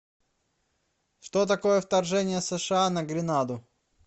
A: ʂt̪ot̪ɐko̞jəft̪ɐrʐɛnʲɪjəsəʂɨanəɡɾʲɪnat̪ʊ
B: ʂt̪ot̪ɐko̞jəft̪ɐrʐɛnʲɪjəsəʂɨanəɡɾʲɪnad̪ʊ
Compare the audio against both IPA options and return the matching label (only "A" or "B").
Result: B